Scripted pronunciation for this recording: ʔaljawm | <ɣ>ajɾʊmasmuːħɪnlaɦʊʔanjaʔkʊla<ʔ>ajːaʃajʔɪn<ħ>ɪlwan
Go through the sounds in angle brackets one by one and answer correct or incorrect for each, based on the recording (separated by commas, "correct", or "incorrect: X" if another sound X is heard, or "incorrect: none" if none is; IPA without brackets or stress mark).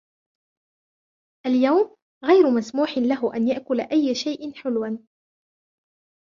correct, correct, correct